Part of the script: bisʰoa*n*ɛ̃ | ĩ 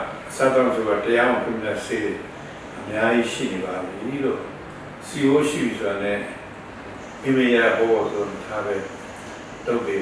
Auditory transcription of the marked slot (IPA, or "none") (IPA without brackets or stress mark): n